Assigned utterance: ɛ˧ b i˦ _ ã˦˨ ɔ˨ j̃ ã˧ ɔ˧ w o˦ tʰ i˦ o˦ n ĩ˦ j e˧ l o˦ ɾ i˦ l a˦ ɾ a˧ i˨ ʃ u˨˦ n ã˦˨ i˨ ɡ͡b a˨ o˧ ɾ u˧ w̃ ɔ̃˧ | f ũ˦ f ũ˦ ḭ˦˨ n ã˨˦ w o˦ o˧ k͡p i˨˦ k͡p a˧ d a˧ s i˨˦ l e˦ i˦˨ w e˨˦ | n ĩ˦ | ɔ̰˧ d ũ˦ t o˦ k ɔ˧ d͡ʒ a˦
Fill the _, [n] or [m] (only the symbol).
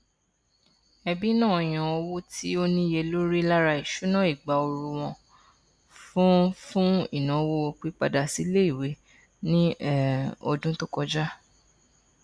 n